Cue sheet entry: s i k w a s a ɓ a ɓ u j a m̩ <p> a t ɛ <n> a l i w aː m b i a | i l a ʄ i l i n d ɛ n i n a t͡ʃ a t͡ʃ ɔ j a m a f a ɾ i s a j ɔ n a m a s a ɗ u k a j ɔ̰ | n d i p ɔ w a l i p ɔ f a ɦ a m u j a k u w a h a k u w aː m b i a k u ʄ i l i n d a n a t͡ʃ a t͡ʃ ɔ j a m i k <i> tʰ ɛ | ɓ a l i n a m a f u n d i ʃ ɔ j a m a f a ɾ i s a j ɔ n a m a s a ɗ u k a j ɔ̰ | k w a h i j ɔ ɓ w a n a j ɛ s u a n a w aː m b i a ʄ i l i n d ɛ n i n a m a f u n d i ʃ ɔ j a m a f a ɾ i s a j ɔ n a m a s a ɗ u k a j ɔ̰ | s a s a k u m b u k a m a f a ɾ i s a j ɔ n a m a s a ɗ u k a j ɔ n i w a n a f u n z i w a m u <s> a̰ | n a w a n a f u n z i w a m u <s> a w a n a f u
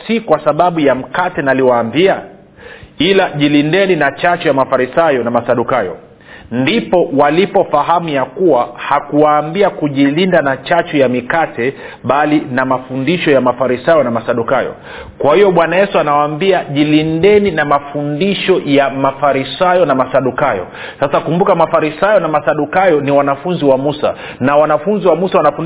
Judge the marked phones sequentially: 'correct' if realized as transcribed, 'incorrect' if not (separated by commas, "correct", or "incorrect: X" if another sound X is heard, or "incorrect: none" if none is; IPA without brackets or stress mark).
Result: incorrect: k, correct, incorrect: a, correct, correct